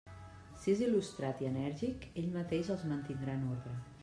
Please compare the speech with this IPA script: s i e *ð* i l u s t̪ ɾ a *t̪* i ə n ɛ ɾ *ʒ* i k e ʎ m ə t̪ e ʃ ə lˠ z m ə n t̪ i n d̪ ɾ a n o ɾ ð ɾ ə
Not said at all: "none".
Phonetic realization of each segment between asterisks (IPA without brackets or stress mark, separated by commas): z, t̪, ʒ